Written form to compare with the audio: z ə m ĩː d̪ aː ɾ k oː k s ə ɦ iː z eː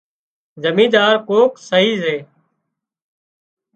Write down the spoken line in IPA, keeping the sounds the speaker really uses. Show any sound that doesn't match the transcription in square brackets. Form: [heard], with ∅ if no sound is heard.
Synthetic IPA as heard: z ə m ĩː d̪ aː ɾ k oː k s ə ɦ iː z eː